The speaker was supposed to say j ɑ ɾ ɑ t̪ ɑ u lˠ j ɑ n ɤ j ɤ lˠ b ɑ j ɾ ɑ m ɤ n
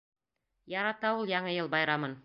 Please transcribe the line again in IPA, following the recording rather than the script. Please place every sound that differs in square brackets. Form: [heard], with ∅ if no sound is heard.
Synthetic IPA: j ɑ ɾ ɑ t̪ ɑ u lˠ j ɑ [ɴ] ɤ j ɤ lˠ b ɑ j ɾ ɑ m ɤ n